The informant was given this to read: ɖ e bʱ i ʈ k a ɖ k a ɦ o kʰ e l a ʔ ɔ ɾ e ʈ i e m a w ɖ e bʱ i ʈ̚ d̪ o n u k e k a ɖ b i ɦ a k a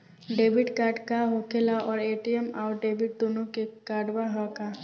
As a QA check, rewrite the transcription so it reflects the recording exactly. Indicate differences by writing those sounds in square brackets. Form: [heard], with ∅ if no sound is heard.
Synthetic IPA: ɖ e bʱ i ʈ k a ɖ k a ɦ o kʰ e l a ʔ ɔ ɾ e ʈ i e m a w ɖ e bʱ i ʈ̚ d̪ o n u k e k a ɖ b [a] ɦ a k a